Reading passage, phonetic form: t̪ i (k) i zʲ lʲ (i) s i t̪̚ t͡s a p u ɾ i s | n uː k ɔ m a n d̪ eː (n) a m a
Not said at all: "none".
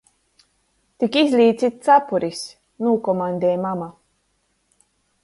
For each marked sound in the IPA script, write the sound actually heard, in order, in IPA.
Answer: k, iː, m

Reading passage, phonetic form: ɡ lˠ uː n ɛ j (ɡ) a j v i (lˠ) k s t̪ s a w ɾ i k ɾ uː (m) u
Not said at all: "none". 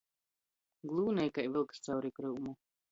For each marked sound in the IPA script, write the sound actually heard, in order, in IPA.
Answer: k, lˠ, m

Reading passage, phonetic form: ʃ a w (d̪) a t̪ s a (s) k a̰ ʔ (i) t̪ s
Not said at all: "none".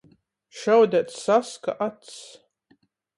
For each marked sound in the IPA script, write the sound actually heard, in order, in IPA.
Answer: d̪, s, a

